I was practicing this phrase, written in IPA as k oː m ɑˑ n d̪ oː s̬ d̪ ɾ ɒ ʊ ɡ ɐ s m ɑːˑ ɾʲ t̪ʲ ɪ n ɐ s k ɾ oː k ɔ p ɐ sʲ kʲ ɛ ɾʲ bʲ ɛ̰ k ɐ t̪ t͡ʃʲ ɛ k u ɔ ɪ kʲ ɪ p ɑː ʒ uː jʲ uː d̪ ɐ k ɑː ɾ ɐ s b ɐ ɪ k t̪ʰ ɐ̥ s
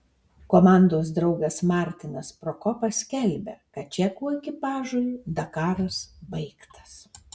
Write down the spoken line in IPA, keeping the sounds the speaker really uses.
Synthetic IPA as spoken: k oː m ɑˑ n d̪ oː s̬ d̪ ɾ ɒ ʊ ɡ ɐ s m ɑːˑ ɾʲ t̪ʲ ɪ n ɐ s p ɾ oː k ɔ p ɐ sʲ kʲ ɛ lʲ bʲ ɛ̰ k ɐ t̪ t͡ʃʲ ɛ k u ɔ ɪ kʲ ɪ p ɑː ʒ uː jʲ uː d̪ ɐ k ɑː ɾ ɐ s b ɐ ɪ k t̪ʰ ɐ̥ s